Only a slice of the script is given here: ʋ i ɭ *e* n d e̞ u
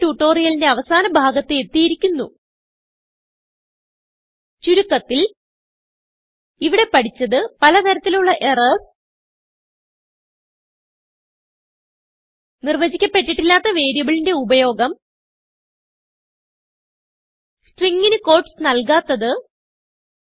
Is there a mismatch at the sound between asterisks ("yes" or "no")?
yes